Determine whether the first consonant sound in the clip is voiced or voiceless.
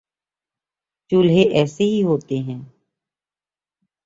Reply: voiceless